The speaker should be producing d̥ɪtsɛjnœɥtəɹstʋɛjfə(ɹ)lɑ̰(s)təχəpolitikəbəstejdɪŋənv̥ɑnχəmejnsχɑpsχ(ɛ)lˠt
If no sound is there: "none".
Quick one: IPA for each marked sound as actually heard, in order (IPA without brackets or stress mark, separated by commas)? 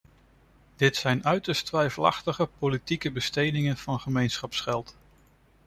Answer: none, χ, ɛ